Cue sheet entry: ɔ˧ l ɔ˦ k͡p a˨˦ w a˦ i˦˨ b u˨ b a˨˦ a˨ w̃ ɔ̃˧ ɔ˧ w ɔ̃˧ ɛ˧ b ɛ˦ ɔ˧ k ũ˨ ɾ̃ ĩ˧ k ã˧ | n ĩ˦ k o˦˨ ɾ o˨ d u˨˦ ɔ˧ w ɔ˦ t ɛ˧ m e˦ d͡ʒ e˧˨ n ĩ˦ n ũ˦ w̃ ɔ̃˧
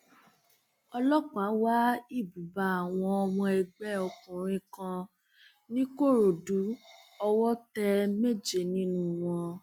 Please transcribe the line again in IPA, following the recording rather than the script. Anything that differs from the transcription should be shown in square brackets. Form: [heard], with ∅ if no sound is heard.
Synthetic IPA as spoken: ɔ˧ l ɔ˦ k͡p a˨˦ w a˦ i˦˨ b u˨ b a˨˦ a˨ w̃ ɔ̃˧ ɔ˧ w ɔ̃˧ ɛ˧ [ɡ͡b] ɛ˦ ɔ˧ k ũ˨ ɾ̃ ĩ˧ k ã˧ | n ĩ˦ k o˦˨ ɾ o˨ d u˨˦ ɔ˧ w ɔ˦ t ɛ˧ m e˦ d͡ʒ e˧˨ n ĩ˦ n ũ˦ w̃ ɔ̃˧